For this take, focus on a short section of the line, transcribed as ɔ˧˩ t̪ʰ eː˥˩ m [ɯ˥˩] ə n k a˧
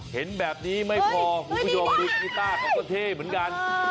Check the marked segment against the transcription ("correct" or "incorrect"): incorrect